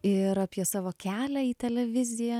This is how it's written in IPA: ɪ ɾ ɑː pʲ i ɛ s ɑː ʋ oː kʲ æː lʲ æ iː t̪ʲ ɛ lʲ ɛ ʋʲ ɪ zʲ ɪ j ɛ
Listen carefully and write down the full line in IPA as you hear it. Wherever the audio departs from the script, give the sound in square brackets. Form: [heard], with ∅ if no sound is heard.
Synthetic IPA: ɪ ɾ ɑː pʲ i ɛ s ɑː ʋ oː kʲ æː lʲ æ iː t̪ʲ ɛ lʲ ɛ ʋʲ ɪ zʲ ɪ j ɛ